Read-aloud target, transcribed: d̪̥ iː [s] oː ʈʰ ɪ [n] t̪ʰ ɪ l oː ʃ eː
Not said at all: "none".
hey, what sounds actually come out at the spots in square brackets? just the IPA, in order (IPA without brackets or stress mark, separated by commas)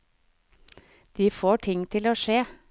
f, ŋ